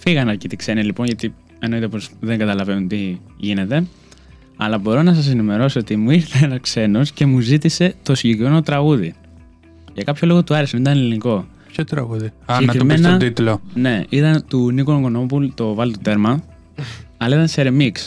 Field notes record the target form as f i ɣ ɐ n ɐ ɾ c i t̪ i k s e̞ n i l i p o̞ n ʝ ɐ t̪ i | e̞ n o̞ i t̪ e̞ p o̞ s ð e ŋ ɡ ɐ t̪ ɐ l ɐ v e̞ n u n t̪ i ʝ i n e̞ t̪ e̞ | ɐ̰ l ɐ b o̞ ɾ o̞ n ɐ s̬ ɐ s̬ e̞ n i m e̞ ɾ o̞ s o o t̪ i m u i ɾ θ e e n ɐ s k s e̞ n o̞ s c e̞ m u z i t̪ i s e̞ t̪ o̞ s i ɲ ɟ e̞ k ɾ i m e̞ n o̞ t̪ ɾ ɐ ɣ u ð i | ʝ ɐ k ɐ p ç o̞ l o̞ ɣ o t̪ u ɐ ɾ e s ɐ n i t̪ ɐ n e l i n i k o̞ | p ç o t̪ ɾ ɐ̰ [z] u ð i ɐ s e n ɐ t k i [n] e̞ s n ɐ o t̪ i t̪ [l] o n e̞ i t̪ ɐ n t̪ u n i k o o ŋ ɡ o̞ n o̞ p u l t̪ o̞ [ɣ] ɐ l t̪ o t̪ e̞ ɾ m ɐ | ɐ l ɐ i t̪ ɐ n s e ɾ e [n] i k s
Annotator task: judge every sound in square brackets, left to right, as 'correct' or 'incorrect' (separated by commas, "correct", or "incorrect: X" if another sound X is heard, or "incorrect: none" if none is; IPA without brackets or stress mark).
incorrect: ɣ, incorrect: m, correct, incorrect: v, incorrect: m